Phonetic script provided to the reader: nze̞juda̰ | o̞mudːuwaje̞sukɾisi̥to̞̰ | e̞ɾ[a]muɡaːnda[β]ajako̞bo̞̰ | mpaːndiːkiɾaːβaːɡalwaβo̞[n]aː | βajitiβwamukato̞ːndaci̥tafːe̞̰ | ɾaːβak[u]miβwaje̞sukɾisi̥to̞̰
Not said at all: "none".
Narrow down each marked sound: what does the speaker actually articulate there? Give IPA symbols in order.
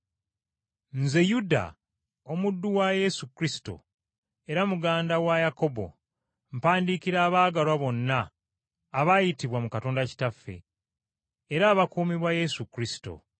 a, w, nː, uː

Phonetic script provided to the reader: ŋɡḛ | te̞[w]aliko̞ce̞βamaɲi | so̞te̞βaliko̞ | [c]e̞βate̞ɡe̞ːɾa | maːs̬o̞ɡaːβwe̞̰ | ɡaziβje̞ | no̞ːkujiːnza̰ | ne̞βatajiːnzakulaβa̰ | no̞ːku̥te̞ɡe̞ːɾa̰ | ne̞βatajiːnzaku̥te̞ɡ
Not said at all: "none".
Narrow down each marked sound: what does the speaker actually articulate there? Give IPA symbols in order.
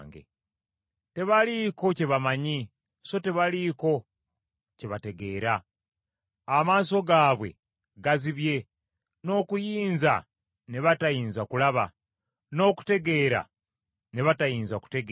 β, c

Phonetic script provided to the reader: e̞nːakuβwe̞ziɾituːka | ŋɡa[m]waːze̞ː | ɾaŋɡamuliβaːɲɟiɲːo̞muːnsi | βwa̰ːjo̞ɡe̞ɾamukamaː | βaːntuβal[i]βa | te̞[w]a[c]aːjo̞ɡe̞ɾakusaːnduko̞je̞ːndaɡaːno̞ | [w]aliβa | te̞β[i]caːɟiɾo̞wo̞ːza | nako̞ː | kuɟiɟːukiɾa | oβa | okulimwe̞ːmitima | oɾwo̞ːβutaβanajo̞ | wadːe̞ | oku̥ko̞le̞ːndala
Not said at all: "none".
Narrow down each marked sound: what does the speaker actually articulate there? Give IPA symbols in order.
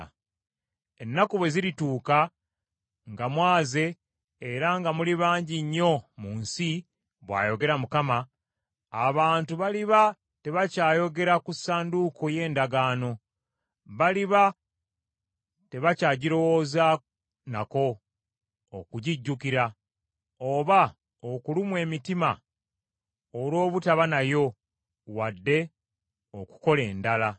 m, i, β, c, β, a

